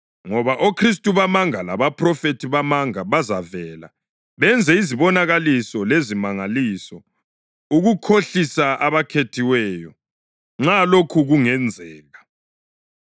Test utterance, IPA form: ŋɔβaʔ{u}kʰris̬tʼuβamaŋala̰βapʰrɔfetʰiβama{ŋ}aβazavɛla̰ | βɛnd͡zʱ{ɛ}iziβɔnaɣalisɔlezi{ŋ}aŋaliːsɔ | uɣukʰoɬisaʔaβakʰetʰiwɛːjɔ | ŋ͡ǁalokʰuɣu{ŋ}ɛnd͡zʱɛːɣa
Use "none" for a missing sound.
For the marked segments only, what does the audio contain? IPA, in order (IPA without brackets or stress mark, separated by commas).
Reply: o, ŋ, ɛ, m, ŋ